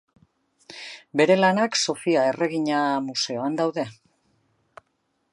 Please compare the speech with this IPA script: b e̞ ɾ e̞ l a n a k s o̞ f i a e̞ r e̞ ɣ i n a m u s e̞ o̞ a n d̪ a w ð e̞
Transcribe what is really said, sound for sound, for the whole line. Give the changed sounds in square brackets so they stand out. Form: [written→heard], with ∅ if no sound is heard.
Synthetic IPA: b e̞ ɾ e̞ l a n a k s o̞ f i a e̞ r e̞ ɣ i [n→ɲ] a m u s e̞ o̞ a n d̪ a w ð e̞